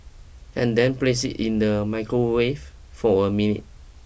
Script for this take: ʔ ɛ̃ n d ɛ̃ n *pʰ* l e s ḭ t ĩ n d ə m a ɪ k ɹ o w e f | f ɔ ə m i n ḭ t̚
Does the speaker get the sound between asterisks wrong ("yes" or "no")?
yes